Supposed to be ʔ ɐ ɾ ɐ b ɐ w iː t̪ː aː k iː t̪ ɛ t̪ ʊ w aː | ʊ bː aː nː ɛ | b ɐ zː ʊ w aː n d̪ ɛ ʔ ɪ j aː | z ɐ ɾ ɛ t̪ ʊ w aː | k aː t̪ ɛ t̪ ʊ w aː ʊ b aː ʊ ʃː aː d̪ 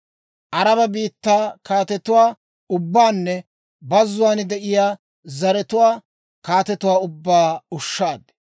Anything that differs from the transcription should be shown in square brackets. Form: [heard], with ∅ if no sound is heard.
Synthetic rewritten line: ʔ ɐ ɾ ɐ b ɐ [b] iː t̪ː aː k [aː] t̪ ɛ t̪ ʊ w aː | ʊ bː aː nː ɛ | b ɐ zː ʊ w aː n d̪ ɛ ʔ ɪ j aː | z ɐ ɾ ɛ t̪ ʊ w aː | k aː t̪ ɛ t̪ ʊ w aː ʊ [bː] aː ʊ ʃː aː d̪

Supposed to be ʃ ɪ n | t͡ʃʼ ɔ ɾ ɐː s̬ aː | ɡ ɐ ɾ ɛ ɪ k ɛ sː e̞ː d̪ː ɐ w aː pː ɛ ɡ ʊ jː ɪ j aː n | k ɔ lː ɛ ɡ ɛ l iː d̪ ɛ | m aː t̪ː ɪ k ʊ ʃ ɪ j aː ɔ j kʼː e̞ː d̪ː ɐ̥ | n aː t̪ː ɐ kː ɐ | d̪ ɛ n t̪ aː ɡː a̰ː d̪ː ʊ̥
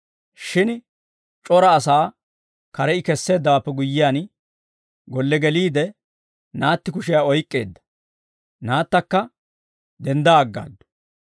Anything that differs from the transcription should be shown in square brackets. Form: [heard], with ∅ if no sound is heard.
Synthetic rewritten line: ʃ ɪ n | t͡ʃʼ ɔ ɾ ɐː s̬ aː | [k] ɐ ɾ ɛ ɪ k ɛ sː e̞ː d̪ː ɐ w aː pː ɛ ɡ ʊ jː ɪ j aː n | [ɡ] ɔ lː ɛ ɡ ɛ l iː d̪ ɛ | [n] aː t̪ː ɪ k ʊ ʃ ɪ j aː ɔ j kʼː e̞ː d̪ː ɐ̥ | n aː t̪ː ɐ kː ɐ | d̪ ɛ n [d̪] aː ɡː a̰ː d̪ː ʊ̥

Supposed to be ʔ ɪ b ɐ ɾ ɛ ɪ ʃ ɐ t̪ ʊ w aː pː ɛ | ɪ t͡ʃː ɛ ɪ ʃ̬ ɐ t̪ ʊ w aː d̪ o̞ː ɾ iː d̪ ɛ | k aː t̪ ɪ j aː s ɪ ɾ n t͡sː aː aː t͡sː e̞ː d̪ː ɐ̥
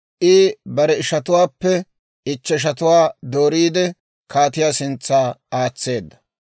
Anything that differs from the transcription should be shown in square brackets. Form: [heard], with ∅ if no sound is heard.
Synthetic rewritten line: ʔ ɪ b ɐ ɾ ɛ ɪ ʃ ɐ t̪ ʊ w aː pː ɛ | ɪ t͡ʃː ɛ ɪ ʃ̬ ɐ t̪ ʊ w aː d̪ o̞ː ɾ iː d̪ ɛ | k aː t̪ ɪ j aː s ɪ [∅] n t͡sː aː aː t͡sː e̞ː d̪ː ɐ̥

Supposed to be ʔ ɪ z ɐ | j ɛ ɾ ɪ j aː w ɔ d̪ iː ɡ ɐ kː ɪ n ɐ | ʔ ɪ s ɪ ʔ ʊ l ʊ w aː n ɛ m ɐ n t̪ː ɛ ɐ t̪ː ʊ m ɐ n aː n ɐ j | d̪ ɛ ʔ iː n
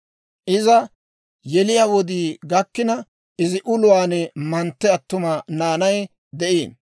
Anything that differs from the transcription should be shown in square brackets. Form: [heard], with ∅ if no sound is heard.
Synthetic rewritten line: ʔ ɪ z ɐ | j ɛ [l] ɪ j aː w ɔ d̪ iː ɡ ɐ kː ɪ n ɐ | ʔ ɪ [z] ɪ ʔ ʊ l ʊ w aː n ɛ m ɐ n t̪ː ɛ ɐ t̪ː ʊ m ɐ n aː n ɐ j | d̪ ɛ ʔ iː n

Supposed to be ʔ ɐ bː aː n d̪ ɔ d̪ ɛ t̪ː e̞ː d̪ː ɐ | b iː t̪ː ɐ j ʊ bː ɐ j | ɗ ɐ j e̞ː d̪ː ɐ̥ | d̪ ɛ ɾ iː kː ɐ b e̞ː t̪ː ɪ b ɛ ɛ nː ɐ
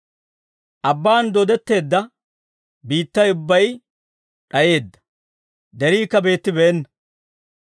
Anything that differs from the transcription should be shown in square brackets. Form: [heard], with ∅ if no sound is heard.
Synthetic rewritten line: ʔ ɐ bː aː n d̪ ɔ d̪ ɛ t̪ː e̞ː d̪ː ɐ | b iː t̪ː ɐ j ʊ bː ɐ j | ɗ ɐ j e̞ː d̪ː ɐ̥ | d̪ ɛ ɾ iː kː ɐ b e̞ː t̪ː ɪ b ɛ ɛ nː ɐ

